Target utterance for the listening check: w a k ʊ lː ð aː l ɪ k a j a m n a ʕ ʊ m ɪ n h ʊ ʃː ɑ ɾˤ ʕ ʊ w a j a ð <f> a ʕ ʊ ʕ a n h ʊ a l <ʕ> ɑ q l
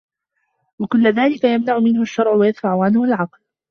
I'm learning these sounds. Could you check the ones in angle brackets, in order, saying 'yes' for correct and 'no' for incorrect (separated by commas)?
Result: yes, yes